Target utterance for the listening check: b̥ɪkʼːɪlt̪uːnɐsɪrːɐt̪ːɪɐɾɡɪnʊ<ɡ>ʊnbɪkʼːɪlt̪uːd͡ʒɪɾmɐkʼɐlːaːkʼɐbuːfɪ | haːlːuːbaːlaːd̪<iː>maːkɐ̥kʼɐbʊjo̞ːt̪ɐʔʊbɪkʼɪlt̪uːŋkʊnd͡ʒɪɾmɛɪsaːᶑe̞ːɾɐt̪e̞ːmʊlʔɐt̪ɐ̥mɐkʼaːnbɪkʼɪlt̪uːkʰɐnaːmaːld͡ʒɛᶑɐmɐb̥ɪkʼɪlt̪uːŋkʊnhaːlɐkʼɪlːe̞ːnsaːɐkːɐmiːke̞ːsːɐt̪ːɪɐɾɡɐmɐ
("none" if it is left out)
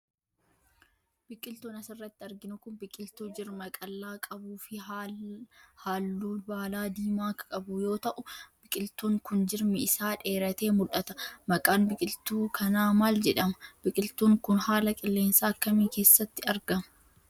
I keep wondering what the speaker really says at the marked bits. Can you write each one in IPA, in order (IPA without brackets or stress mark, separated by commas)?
k, iː